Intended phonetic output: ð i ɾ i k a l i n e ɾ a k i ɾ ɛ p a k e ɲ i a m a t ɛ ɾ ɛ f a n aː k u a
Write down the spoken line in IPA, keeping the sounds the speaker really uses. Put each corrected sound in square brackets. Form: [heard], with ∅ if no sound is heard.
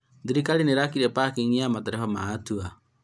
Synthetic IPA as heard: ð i ɾ i k a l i n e ɾ a k i ɾ ɛ p a k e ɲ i a m a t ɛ ɾ ɛ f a [m] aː [t] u a